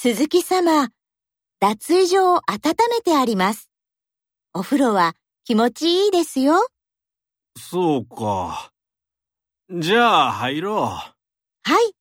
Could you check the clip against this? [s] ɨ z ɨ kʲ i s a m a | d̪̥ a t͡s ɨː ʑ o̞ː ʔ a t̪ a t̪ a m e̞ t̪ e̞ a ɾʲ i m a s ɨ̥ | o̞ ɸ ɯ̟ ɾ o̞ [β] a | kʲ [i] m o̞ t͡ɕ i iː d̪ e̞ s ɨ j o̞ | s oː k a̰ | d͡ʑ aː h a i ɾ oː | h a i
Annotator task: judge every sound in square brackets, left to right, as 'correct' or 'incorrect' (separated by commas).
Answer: correct, correct, correct